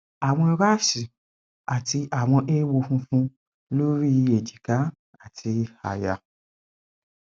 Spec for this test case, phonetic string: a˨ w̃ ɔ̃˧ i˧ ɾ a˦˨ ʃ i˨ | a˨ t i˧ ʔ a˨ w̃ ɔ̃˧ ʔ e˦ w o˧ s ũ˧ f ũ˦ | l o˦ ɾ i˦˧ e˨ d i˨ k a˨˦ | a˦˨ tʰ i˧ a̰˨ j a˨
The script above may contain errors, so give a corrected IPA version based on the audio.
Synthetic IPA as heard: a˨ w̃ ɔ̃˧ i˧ ɾ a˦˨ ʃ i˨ | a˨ t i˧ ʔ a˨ w̃ ɔ̃˧ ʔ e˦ w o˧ f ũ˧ f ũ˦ | l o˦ ɾ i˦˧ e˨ d͡ʒ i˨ k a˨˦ | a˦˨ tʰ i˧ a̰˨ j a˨